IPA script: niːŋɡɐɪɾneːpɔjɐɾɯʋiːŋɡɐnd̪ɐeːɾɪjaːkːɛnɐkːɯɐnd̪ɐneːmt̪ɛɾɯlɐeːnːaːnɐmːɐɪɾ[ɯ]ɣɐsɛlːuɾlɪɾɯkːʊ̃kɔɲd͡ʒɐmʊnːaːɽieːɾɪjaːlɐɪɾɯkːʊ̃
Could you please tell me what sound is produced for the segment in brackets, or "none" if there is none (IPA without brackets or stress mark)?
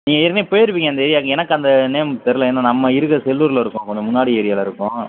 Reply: ɯ